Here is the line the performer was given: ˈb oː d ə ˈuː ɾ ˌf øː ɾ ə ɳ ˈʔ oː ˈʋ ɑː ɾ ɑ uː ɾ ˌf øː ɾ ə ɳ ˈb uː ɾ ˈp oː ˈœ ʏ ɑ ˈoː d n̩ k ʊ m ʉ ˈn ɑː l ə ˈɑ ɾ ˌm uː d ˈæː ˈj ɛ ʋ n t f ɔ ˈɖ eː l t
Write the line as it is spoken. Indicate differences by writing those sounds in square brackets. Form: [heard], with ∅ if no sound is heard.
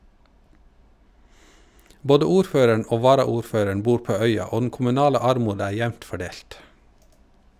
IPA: ˈb oː d ə ˈuː ɾ ˌf øː ɾ ə ɳ ˈʔ oː ˈʋ ɑː ɾ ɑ uː ɾ ˌf øː ɾ ə ɳ ˈb uː ɾ ˈp oː ˈœ ʏ ɑ ˈoː d n̩ k ʊ m ʉ ˈn ɑː l ə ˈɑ ɾ ˌm uː d ˈæː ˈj [æ] ʋ n t f ɔ ˈɖ eː l t